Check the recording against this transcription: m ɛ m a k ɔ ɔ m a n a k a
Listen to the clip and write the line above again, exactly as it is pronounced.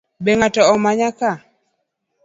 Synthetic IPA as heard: b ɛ ŋ a t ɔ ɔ m a ɲ a k a